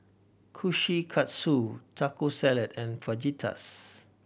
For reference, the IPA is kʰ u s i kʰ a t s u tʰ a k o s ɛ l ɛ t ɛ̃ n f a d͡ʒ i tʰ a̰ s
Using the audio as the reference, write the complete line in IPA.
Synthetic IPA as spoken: kʰ u ʃ i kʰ a t s u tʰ a k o s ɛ l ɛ t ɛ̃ n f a d͡ʒ i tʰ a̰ s